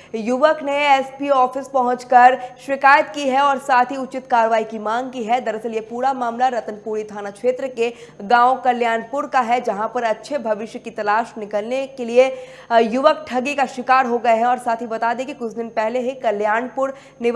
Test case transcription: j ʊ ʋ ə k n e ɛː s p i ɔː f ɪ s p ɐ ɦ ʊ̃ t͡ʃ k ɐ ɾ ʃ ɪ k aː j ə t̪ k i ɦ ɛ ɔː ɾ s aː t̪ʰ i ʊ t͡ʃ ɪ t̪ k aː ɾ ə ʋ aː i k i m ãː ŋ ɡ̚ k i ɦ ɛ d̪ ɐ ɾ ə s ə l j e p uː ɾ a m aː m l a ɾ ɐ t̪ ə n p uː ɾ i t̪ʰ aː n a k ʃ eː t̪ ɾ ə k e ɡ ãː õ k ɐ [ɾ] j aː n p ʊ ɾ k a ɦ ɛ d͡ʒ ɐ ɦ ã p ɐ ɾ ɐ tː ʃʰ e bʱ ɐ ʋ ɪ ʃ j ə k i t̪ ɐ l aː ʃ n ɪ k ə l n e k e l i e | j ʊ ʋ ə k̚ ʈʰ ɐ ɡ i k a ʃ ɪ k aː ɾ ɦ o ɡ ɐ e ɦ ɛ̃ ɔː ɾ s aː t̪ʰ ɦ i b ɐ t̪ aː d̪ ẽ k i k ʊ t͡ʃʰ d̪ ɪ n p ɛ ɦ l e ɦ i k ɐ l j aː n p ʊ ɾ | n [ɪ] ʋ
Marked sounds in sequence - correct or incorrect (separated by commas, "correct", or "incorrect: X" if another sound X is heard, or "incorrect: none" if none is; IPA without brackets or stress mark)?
incorrect: l, correct